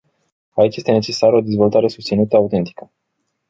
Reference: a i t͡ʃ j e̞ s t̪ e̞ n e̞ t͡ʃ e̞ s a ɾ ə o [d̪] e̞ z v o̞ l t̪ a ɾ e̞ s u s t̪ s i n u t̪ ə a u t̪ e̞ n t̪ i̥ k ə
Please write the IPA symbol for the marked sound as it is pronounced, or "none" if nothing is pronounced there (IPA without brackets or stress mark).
d̪